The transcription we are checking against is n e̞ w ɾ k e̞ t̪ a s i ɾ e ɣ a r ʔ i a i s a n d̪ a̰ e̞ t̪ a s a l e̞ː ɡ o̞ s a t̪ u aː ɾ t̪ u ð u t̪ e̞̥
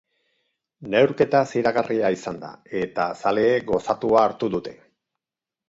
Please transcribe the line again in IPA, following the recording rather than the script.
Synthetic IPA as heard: n e̞ w ɾ k e̞ t̪ a s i ɾ a ɣ a r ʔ i a i s a n d̪ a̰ e̞ t̪ a s a l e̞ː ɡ o̞ s a t̪ u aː ɾ t̪ u ð u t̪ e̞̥